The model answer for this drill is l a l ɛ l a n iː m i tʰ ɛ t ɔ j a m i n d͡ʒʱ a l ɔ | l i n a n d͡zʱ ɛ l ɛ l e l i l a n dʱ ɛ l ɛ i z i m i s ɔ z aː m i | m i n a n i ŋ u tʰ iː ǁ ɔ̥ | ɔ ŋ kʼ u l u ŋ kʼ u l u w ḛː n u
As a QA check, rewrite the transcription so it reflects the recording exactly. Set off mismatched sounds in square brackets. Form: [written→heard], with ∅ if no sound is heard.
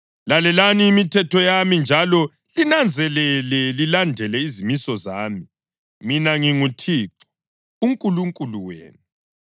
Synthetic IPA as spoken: l a l ɛ l a n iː m i tʰ ɛ t ɔ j a m i n d͡ʒʱ a l ɔ | l i n a n d͡zʱ ɛ l ɛ l [e→ɛ] l i l a n dʱ ɛ l ɛ i z i m i s ɔ z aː m i | m i n a [n→ŋ] i ŋ u tʰ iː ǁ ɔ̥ | [ɔ→u] ŋ kʼ u l u ŋ kʼ u l u w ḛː n u